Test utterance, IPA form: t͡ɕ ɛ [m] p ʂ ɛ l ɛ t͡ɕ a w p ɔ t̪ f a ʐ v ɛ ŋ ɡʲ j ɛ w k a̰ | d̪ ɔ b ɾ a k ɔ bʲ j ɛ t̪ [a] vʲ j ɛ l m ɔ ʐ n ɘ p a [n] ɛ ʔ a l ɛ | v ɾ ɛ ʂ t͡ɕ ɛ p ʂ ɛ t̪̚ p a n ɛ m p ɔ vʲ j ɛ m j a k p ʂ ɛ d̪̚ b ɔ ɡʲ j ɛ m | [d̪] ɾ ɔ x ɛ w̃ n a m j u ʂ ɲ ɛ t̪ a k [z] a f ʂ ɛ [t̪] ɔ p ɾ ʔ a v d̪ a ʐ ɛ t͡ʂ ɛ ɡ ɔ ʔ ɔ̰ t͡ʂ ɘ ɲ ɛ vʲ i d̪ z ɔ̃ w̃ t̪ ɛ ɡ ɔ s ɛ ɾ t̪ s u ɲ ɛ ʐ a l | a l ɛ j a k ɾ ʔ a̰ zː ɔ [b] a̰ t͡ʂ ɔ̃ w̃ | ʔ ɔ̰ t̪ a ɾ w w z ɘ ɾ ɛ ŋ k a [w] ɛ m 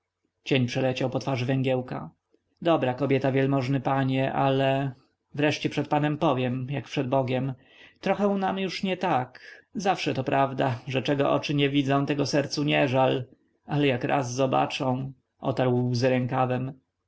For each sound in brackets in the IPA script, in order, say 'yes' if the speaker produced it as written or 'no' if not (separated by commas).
no, yes, no, no, yes, yes, yes, no